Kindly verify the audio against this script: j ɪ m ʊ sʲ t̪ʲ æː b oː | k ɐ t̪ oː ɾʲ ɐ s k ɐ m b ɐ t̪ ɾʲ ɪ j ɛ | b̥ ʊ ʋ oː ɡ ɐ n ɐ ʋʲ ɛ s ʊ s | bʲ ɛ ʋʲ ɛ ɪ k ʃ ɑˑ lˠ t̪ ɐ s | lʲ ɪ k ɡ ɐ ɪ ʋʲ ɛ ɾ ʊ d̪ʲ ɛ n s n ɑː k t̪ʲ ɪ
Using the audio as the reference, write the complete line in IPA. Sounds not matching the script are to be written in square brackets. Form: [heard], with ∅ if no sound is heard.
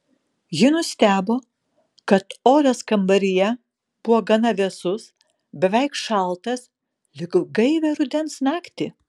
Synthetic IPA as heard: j ɪ [n] ʊ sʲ t̪ʲ æː b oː | k ɐ t̪ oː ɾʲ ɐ s k ɐ m b ɐ [∅] ɾʲ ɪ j ɛ | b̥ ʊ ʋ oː ɡ ɐ n ɐ ʋʲ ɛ s ʊ s | bʲ ɛ ʋʲ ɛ ɪ k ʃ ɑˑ lˠ t̪ ɐ s | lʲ ɪ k ɡ ɐ ɪ ʋʲ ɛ ɾ ʊ d̪ʲ ɛ n s n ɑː k t̪ʲ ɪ